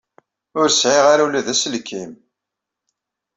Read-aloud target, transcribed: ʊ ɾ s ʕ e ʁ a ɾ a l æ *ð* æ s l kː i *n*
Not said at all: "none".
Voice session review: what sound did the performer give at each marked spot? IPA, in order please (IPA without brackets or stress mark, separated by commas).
ð, m